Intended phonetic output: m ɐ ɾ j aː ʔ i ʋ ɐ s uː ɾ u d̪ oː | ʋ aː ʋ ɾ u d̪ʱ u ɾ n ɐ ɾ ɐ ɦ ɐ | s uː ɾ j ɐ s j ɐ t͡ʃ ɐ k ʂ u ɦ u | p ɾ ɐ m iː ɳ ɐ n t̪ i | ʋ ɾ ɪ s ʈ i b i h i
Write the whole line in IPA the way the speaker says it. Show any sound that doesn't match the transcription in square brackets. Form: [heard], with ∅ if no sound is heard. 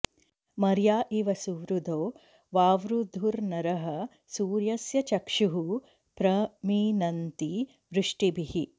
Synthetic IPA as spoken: m ɐ ɾ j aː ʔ i ʋ ɐ s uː ɾ u d̪ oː | ʋ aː ʋ ɾ u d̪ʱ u ɾ n ɐ ɾ ɐ ɦ ɐ | s uː ɾ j ɐ s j ɐ t͡ʃ ɐ k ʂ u ɦ u | p ɾ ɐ m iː [n] ɐ n t̪ i | ʋ ɾ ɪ [ʂ] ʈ i b i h i